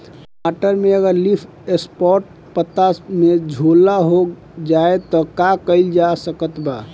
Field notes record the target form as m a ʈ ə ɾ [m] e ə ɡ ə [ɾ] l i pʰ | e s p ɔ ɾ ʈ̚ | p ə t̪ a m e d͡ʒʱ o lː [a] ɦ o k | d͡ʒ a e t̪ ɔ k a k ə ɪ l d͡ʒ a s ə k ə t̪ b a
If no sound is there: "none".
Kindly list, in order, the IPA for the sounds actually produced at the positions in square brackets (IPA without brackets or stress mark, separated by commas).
m, ɾ, a